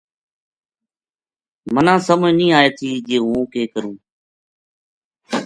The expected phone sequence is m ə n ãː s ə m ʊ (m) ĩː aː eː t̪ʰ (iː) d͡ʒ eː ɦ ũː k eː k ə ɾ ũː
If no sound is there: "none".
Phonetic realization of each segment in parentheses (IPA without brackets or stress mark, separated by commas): n, iː